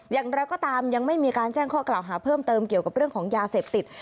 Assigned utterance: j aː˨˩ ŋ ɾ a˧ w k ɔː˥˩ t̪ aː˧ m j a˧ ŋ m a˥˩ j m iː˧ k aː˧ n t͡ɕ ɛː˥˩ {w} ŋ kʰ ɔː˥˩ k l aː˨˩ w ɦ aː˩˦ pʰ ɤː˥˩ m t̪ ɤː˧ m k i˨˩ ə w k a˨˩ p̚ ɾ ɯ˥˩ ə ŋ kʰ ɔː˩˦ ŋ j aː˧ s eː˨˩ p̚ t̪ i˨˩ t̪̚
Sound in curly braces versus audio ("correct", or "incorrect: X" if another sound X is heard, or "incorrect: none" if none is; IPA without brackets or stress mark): incorrect: none